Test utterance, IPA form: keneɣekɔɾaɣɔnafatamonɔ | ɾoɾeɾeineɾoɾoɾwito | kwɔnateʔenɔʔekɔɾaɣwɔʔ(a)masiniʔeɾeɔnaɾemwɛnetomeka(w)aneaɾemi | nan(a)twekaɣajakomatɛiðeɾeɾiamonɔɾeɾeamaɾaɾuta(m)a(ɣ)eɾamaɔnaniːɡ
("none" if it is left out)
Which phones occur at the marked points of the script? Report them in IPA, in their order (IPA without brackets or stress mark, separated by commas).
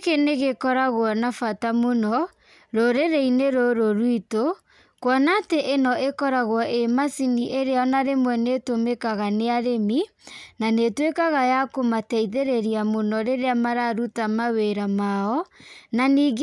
e, ɣ, e, m, w